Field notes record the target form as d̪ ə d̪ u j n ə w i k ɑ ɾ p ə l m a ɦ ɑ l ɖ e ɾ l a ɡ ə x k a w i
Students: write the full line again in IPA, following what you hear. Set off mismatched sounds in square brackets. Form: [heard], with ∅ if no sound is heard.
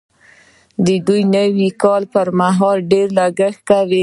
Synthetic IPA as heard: d̪ ə d̪ u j n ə w i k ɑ [l] p ə [ɾ] m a ɦ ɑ l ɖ e ɾ l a ɡ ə x k a w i